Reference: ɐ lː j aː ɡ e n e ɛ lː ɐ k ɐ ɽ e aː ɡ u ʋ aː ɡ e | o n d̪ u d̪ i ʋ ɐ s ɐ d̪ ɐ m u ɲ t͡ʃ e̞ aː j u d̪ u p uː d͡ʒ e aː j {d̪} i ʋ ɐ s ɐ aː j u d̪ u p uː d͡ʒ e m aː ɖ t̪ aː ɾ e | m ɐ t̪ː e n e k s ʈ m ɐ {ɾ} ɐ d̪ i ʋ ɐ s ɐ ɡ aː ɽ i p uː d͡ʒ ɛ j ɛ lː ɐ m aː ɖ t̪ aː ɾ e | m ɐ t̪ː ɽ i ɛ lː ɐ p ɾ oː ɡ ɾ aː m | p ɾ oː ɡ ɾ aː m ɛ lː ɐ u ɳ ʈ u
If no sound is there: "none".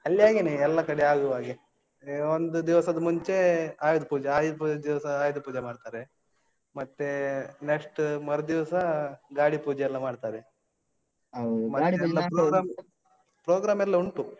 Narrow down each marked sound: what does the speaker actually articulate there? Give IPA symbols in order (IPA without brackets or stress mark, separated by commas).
d̪, ɾ